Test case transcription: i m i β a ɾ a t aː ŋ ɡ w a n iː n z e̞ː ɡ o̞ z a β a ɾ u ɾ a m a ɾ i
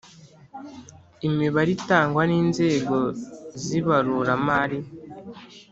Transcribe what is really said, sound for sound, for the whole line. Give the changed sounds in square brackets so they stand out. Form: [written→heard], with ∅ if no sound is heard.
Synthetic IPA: i m i β a ɾ [a→i] t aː ŋ ɡ w a n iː n z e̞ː ɡ o̞ z [a→i] β a ɾ u ɾ a m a ɾ i